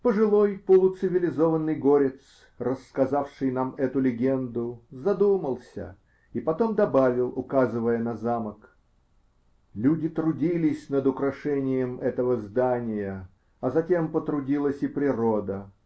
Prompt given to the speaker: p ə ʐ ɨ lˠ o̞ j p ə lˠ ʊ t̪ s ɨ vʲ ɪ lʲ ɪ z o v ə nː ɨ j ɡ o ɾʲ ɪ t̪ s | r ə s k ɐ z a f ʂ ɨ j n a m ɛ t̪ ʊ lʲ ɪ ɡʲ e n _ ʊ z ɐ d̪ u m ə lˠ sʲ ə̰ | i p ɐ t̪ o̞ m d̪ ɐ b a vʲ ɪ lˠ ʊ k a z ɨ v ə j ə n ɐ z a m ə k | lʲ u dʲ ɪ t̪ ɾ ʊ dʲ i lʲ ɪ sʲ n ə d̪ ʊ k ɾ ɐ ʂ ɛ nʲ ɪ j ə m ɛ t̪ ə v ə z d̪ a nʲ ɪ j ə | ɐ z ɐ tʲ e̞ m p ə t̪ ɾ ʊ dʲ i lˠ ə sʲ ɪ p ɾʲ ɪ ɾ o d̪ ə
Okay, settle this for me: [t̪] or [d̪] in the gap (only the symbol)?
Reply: d̪